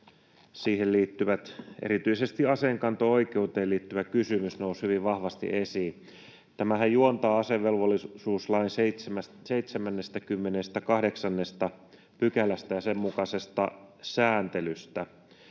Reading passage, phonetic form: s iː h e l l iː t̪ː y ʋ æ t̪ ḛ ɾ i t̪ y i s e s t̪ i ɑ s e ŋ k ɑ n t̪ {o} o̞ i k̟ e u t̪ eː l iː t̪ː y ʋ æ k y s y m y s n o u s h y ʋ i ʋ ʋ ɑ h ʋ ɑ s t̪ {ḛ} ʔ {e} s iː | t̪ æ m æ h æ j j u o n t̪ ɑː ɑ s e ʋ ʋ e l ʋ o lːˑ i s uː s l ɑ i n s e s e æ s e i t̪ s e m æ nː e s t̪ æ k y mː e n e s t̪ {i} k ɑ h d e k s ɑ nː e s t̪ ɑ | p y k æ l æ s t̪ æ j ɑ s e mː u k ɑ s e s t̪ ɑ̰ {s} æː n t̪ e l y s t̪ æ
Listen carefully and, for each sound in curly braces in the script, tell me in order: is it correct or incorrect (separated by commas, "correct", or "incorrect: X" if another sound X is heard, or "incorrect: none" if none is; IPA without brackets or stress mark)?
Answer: correct, incorrect: ḭ, correct, incorrect: æ, correct